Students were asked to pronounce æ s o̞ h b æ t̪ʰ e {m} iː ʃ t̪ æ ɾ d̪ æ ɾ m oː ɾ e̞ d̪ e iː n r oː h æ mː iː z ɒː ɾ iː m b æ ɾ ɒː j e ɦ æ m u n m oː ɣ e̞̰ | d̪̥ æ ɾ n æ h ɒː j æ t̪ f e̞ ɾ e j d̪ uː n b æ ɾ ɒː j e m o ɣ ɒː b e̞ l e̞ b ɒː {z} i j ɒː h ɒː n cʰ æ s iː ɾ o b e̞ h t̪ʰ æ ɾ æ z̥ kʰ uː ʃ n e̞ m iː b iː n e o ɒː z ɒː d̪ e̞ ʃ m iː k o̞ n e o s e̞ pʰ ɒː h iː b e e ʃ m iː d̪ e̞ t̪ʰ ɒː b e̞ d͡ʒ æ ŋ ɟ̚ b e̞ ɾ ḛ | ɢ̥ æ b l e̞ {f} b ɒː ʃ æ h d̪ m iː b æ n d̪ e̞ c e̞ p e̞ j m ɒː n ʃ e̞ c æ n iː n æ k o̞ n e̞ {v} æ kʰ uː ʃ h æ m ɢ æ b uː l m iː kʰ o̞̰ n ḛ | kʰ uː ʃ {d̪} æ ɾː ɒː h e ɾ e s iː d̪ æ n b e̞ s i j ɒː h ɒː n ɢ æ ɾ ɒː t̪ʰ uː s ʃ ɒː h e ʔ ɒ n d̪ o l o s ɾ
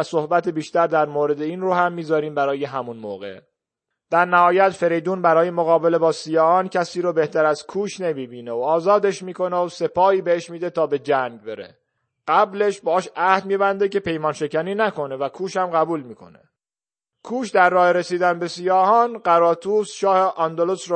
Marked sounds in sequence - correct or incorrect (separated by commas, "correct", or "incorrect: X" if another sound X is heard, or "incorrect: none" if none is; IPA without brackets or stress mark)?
incorrect: b, incorrect: s, incorrect: ʃ, correct, correct